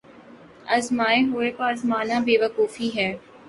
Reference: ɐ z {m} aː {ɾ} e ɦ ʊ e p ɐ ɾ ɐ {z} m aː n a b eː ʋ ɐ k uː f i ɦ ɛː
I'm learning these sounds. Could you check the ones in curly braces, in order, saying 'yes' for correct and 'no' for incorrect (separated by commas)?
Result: yes, no, yes